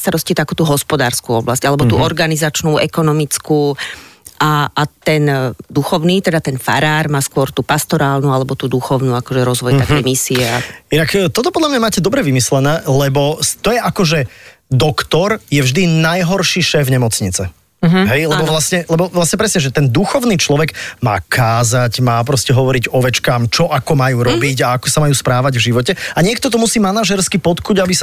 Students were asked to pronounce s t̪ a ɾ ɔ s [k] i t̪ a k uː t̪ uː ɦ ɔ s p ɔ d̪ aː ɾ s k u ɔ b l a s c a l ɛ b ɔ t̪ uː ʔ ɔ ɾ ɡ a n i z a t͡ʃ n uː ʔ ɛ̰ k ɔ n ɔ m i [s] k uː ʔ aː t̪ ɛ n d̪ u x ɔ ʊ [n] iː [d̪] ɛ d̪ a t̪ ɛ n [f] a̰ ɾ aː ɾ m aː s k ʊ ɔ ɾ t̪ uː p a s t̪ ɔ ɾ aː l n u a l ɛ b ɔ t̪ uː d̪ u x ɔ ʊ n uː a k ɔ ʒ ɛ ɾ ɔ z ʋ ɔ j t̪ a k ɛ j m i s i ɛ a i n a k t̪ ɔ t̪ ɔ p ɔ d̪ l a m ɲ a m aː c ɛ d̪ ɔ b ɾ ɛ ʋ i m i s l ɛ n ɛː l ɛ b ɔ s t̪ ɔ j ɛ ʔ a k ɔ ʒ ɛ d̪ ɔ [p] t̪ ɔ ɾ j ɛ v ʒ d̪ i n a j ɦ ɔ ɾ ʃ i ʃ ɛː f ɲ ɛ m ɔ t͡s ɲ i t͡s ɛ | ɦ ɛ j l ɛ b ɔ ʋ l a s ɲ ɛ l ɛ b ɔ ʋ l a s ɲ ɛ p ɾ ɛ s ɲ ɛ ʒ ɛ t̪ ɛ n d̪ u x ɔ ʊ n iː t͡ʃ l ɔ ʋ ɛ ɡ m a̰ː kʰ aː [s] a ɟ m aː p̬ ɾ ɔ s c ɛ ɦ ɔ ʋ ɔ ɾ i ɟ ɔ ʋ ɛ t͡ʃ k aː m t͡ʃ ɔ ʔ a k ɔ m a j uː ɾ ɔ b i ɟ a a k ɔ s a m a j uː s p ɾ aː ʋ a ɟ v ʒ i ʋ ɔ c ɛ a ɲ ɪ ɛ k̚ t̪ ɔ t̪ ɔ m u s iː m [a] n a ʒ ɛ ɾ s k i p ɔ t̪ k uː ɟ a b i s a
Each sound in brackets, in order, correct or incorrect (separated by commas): incorrect, incorrect, correct, incorrect, correct, incorrect, incorrect, correct